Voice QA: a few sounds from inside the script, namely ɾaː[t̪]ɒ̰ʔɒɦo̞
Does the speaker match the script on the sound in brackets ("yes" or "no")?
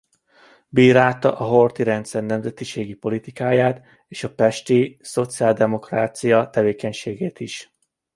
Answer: yes